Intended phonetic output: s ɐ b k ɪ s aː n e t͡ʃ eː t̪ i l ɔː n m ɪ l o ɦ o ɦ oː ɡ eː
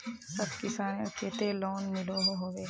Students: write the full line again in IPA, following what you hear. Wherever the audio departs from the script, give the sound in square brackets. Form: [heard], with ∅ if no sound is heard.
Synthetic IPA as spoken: s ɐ b k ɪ s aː n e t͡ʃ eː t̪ [e] l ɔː n m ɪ l o ɦ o ɦ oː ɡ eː